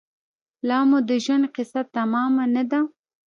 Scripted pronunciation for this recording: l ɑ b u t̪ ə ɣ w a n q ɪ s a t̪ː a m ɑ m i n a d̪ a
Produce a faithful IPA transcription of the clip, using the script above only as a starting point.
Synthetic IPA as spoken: l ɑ m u d̪ ə ʒ w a n q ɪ s a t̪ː a m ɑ m a n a d̪ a